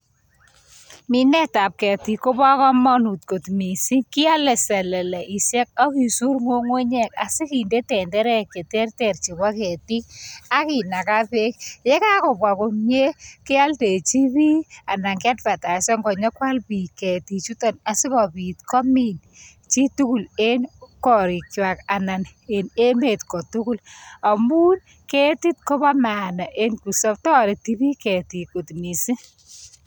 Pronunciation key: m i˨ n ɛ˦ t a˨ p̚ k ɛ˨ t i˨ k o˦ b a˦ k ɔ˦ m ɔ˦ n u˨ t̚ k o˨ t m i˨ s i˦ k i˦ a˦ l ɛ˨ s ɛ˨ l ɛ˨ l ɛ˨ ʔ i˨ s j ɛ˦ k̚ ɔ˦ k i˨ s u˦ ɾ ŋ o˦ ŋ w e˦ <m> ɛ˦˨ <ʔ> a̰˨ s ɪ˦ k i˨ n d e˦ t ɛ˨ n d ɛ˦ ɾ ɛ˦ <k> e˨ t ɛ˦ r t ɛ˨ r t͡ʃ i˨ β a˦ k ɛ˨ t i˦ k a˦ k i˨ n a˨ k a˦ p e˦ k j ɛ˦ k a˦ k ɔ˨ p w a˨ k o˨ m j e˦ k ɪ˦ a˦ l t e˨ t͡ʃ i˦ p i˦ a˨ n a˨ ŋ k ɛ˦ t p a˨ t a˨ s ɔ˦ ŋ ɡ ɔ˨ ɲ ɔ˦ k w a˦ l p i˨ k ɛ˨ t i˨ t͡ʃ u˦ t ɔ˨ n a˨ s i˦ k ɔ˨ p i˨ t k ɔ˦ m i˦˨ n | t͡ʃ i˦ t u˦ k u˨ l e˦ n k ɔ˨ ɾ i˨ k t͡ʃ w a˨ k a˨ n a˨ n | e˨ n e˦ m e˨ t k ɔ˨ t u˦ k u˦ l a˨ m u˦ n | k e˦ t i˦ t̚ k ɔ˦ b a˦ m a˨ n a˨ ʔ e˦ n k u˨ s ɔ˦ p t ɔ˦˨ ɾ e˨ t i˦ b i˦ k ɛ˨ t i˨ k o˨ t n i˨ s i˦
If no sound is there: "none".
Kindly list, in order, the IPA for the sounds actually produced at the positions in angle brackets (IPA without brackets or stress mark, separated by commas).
ɲ, k, k